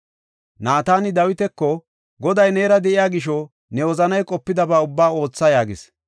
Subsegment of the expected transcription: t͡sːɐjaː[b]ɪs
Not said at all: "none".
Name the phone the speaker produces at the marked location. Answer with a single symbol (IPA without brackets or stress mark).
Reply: ɡ